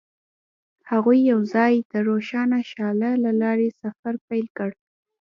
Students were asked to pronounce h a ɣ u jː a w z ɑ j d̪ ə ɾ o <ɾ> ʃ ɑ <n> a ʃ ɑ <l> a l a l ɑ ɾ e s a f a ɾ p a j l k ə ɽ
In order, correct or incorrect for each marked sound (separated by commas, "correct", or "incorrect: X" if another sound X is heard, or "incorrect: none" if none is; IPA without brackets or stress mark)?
incorrect: none, correct, correct